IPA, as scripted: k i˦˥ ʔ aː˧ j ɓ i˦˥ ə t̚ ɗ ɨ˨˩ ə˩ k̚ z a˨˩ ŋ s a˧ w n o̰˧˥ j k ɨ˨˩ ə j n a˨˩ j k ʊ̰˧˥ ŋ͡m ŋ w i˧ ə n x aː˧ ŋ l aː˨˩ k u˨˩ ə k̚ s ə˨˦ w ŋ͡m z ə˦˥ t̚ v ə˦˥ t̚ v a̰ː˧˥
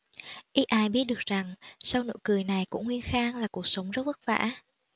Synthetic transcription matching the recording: ʔ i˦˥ ʔ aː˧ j ɓ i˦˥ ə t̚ ɗ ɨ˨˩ ə˩ k̚ z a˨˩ ŋ s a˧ w n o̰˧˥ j k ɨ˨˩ ə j n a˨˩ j k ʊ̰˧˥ ŋ͡m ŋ w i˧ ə n x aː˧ ŋ l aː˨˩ k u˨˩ ə k̚ s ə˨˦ w ŋ͡m z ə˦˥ t̚ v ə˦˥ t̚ v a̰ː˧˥

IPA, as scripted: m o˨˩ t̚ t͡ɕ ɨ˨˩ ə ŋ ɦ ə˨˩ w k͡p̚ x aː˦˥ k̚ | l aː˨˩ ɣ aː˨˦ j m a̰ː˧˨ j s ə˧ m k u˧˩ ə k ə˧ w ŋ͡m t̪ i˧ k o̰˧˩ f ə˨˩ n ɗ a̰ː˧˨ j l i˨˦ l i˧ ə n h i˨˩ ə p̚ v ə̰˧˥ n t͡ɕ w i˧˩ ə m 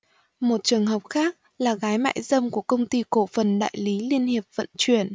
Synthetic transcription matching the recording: m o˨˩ t̚ t͡ɕ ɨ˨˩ ə ŋ ɦ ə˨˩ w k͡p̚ x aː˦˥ k̚ | l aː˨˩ ɣ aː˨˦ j m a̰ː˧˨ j z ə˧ m k u˧˩ ə k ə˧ w ŋ͡m t̪ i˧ k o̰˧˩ f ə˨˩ n ɗ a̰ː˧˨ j l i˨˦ l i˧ ə n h i˨˩ ə p̚ v ə̰˧˨ n t͡ɕ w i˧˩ ə n

